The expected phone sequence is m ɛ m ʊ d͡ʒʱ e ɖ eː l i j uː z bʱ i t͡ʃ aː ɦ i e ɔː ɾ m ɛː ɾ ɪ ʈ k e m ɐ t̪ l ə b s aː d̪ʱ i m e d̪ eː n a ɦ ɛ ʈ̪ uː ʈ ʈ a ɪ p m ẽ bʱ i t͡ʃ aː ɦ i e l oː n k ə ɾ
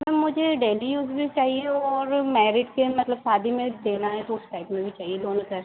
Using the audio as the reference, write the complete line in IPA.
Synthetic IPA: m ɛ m ʊ d͡ʒʱ e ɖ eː l i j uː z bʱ i t͡ʃ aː ɦ i e ɔː ɾ m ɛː ɾ ɪ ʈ k e m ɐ t̪ l ə b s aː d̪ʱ i m ẽ d̪ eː n a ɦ ɛ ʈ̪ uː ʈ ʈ a ɪ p m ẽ bʱ i t͡ʃ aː ɦ i e l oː n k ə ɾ